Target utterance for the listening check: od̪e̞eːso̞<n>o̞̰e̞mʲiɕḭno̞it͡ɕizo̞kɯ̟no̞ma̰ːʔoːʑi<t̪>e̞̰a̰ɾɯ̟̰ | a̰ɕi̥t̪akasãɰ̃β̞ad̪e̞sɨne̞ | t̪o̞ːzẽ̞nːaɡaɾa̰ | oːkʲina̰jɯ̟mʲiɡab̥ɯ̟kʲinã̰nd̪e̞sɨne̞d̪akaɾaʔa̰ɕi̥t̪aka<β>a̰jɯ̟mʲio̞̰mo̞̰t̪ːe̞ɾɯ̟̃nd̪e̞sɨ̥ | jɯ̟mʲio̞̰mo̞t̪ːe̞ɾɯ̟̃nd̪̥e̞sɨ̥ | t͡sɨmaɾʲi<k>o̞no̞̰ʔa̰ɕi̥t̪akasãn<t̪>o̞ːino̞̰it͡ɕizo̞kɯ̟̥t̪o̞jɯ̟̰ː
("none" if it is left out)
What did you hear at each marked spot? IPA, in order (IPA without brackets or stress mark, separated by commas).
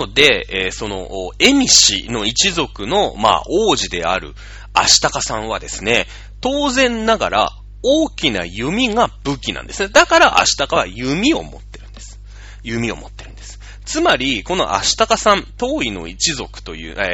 n, d̪, β, k, t̪